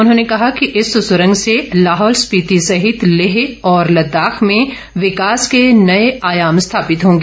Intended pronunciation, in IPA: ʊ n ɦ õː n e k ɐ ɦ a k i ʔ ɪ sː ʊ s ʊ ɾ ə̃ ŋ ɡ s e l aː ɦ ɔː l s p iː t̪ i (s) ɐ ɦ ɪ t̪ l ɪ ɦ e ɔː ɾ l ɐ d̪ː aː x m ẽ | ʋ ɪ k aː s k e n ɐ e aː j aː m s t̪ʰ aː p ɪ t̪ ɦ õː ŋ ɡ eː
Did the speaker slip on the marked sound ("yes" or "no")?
no